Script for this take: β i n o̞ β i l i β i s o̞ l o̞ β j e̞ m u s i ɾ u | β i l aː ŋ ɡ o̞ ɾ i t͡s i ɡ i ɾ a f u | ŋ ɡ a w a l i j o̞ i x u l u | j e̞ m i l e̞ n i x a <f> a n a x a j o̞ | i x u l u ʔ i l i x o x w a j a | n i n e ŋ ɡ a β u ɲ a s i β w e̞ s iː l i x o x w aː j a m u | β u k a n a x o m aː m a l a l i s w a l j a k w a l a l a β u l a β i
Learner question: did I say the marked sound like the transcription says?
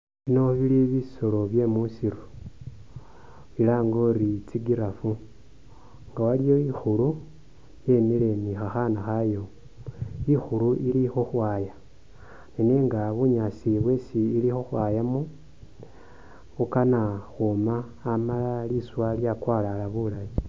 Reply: no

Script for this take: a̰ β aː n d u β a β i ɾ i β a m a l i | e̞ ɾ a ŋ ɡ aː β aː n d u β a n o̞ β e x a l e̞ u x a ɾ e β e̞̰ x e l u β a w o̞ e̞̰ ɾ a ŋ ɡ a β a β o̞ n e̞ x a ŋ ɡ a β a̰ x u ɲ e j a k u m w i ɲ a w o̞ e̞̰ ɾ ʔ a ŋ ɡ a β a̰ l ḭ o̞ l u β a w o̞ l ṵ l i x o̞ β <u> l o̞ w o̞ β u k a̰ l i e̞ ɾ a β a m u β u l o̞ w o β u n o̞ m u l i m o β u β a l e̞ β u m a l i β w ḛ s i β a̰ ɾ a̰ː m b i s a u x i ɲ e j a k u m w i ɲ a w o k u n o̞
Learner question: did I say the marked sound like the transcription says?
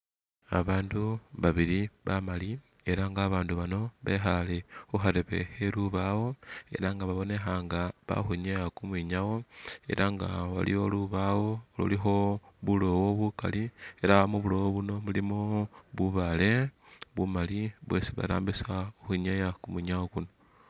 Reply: yes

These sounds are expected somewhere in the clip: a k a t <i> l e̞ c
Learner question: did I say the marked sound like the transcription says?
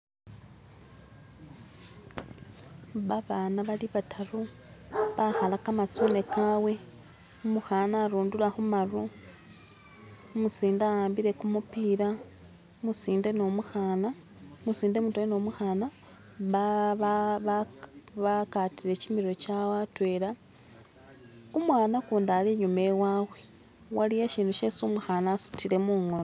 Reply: yes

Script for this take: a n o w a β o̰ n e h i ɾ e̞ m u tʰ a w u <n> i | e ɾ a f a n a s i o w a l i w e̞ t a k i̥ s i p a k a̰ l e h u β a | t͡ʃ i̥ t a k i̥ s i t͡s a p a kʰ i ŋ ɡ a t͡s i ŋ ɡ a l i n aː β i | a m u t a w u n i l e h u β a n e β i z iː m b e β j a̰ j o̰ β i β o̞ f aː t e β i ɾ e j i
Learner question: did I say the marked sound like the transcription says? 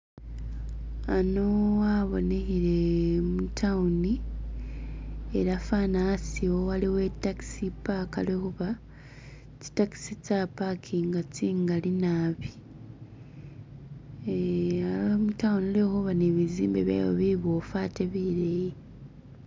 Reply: yes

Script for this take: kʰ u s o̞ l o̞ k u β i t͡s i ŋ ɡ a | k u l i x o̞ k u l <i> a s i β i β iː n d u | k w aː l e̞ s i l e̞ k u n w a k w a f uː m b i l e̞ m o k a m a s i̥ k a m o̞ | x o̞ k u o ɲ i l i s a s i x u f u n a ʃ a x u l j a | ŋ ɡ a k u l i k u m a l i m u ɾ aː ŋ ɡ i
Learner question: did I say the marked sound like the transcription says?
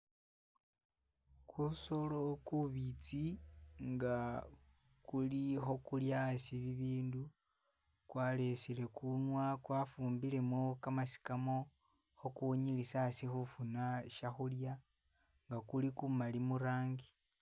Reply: no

